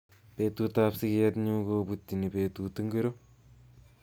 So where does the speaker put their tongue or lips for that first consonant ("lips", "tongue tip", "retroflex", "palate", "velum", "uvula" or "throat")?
lips